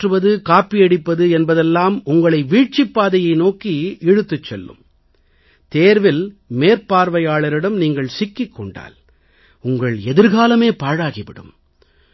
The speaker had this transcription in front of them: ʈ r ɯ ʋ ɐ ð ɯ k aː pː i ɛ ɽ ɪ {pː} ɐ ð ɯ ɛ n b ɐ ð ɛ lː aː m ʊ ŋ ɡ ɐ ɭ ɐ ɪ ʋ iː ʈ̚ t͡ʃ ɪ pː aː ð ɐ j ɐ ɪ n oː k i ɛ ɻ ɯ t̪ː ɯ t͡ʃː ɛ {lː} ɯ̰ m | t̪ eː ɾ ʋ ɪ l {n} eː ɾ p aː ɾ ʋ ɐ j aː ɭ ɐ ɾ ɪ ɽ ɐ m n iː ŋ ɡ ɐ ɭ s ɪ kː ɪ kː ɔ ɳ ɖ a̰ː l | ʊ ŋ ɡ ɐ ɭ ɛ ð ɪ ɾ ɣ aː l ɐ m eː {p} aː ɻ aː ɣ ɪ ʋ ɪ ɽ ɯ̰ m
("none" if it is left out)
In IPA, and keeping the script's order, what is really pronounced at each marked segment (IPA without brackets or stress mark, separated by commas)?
pː, lː, m, p